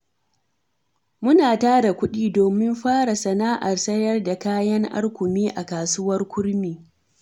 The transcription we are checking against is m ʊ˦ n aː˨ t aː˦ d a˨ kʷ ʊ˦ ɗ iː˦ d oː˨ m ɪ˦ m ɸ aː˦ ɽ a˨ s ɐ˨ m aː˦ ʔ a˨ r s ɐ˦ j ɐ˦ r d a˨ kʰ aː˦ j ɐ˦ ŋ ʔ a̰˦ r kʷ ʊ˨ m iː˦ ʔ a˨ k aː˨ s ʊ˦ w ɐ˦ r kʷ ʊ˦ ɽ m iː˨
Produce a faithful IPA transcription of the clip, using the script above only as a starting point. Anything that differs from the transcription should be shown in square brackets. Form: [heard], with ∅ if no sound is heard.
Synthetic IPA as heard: m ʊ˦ n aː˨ t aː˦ d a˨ kʷ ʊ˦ ɗ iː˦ d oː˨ m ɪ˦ m ɸ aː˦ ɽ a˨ s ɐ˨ [n] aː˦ ʔ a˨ r s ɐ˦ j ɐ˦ r d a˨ [k] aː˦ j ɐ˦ ŋ ʔ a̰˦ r kʷ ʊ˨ m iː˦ ʔ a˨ k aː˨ s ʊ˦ w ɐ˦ r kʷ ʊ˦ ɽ m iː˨